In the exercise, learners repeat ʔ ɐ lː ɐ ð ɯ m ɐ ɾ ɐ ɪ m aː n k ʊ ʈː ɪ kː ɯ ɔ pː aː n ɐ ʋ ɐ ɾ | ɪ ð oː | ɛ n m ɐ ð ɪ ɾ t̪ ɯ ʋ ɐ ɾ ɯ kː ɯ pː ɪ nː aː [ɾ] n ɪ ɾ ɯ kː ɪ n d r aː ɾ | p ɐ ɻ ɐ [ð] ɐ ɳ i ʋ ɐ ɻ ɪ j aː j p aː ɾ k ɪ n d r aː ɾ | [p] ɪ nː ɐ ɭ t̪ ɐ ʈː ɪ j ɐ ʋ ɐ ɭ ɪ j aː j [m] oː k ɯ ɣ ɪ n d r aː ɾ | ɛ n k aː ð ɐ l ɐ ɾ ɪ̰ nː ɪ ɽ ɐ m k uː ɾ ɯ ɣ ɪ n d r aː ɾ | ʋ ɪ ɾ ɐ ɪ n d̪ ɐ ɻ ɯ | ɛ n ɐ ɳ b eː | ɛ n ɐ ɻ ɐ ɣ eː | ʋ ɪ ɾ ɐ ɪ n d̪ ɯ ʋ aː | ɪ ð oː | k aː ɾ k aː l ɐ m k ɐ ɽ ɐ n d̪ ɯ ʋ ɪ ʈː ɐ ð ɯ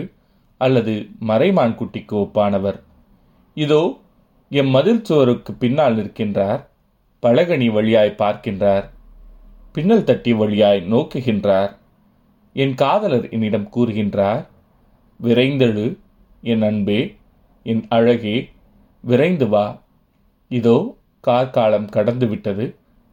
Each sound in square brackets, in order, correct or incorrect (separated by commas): incorrect, incorrect, correct, incorrect